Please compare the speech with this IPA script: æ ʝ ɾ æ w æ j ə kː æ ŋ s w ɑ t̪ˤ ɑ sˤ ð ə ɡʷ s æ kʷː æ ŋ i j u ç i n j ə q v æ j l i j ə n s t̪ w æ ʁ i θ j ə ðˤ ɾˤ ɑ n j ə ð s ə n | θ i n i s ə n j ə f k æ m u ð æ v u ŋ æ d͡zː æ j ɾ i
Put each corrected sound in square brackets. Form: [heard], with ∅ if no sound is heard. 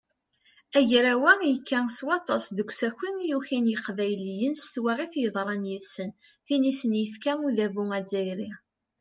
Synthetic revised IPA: æ ʝ ɾ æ w æ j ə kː æ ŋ s w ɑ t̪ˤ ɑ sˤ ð ə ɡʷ s æ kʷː [i] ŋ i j u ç i n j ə q v æ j l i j ə n s t̪ w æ ʁ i θ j ə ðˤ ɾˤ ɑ n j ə ð s ə n | θ i n i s ə n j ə f k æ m u ð æ v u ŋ æ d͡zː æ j ɾ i